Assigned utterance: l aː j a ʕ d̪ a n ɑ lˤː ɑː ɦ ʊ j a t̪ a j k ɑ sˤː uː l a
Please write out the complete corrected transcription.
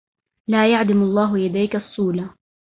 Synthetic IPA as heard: l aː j a ʕ d̪ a m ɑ lˤː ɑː ɦ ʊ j a d̪ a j k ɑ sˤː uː l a